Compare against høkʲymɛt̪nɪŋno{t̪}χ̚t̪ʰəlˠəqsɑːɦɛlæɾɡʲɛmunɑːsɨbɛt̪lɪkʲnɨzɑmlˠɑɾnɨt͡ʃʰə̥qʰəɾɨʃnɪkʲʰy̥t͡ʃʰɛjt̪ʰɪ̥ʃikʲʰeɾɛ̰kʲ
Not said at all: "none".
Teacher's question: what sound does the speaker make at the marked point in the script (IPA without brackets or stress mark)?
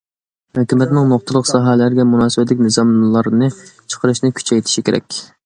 none